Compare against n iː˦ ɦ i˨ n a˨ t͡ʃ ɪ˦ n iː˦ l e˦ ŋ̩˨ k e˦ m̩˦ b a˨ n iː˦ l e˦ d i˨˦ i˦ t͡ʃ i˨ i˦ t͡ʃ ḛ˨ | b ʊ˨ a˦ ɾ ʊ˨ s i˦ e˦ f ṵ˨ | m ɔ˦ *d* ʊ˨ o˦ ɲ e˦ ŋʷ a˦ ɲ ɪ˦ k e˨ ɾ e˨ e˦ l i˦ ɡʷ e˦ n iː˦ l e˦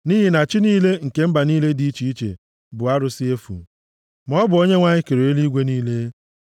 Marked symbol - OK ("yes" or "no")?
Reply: no